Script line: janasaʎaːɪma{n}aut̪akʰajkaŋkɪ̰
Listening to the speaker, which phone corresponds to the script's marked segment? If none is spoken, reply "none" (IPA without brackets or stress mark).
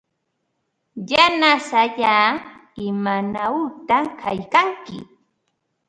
n